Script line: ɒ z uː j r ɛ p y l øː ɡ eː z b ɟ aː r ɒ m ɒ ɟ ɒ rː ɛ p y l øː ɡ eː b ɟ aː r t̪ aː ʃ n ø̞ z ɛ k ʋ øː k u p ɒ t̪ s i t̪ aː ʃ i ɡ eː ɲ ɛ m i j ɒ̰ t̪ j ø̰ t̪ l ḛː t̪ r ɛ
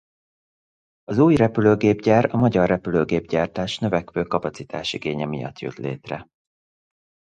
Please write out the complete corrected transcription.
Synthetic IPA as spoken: ɒ z uː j r ɛ p y l øː ɡ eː b ɟ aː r ɒ m ɒ ɟ ɒ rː ɛ p y l øː ɡ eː b ɟ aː r t̪ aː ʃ n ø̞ v ɛ k ʋ øː k ɒ p ɒ t̪ s i t̪ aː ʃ i ɡ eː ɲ ɛ m i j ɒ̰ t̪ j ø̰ t̪ l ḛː t̪ r ɛ